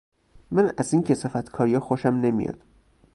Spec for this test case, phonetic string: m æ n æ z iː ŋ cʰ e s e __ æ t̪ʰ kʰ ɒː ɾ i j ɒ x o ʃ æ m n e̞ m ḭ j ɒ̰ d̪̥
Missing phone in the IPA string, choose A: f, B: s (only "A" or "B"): A